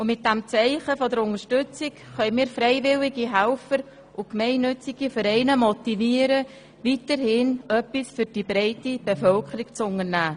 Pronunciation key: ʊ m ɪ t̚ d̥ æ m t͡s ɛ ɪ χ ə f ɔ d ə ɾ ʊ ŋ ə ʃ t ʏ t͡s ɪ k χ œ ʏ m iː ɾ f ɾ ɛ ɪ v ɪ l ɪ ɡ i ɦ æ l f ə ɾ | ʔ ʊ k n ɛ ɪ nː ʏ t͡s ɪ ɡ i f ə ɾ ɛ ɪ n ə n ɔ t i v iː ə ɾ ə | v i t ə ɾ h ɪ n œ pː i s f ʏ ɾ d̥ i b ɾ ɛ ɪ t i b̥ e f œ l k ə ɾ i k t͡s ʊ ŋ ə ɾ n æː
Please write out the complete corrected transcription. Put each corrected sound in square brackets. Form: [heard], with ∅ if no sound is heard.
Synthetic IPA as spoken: ʊ m ɪ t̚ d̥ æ m t͡s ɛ ɪ χ ə f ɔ d ə ɾ ʊ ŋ ə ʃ t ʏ t͡s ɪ k χ œ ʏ m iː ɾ f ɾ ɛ ɪ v ɪ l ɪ ɡ i ɦ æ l f ə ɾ | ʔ ʊ k [m] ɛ ɪ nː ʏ t͡s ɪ ɡ i f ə ɾ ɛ ɪ n ə [m] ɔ t i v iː ə ɾ ə | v i t ə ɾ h ɪ n œ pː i s f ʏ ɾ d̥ i b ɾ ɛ ɪ t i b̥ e f œ l k ə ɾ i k t͡s ʊ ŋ ə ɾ n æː